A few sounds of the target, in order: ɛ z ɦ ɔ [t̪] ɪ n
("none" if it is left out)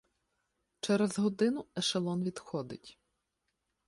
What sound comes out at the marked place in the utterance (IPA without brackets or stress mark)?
d̪